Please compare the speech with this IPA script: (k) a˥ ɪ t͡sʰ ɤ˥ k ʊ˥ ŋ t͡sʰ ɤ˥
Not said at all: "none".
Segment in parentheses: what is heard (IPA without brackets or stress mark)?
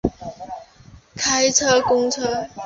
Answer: kʰ